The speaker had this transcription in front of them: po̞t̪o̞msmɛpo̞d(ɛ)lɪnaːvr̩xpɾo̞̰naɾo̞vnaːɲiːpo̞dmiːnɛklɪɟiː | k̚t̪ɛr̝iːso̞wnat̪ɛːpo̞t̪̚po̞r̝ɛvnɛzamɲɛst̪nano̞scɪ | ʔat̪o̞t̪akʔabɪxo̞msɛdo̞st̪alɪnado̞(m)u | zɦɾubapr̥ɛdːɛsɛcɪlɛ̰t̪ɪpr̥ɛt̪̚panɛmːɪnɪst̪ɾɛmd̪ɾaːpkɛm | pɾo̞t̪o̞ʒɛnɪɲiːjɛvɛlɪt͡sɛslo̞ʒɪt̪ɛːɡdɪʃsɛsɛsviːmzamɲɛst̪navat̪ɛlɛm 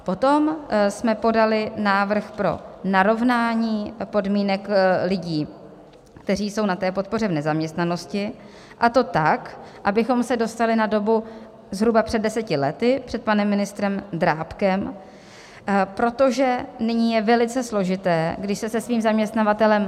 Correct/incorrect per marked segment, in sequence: incorrect: a, incorrect: b

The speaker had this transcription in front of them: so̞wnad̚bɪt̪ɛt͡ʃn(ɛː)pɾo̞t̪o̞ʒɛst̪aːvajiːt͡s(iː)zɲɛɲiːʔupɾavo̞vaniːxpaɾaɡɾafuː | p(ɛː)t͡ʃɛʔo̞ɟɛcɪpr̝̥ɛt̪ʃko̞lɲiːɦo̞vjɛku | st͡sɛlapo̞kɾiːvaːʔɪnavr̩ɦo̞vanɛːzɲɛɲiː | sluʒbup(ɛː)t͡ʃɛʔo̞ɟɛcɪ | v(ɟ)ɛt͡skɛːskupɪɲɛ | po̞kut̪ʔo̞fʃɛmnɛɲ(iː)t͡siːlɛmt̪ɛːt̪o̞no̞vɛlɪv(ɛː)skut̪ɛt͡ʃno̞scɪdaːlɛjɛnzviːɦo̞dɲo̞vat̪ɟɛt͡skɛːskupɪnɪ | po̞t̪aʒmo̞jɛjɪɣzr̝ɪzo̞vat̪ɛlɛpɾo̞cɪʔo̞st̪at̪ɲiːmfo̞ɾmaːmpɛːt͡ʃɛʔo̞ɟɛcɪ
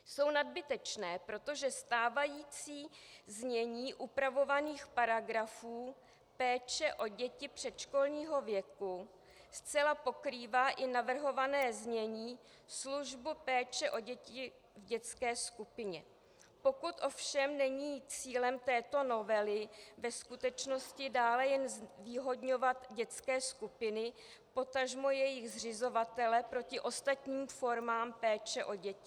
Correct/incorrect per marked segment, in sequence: correct, correct, correct, correct, correct, correct, incorrect: ɛ

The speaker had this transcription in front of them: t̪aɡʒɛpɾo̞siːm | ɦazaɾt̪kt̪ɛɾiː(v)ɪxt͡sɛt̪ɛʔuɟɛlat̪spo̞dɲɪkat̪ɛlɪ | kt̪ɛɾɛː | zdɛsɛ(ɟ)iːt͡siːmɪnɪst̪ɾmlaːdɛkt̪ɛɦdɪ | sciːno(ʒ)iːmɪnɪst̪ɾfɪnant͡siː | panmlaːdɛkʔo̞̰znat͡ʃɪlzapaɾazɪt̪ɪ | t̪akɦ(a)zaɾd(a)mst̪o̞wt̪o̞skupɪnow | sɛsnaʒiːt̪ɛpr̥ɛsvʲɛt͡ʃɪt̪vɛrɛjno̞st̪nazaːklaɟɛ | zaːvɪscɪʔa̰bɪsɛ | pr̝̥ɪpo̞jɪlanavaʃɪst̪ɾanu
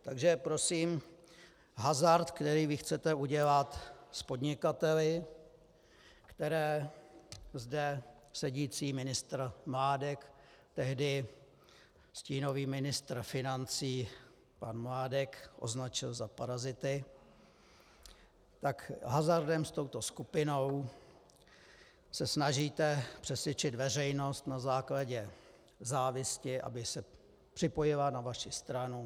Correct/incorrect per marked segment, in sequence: correct, correct, incorrect: v, correct, incorrect: ɛ

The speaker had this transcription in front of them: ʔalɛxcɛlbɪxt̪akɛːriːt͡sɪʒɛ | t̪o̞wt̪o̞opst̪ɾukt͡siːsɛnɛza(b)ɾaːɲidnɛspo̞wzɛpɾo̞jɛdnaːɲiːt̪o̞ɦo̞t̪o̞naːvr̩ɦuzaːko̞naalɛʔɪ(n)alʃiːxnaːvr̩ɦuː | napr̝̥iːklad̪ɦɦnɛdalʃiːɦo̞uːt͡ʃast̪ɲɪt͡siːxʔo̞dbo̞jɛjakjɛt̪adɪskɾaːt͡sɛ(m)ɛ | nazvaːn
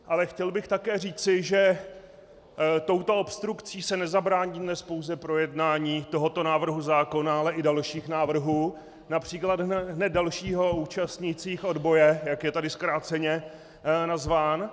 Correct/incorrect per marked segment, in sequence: correct, incorrect: d, incorrect: ɲ

